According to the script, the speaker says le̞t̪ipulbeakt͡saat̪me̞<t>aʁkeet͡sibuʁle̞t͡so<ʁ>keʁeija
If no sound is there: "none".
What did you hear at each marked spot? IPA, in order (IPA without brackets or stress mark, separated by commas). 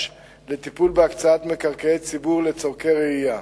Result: k, ʁ